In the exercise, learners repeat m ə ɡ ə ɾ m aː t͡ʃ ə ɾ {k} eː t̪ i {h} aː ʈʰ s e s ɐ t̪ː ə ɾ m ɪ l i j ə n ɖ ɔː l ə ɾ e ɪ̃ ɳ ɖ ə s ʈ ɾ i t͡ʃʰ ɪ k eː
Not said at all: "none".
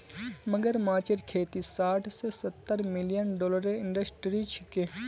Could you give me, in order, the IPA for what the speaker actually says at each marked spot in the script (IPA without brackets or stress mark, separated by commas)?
kʰ, s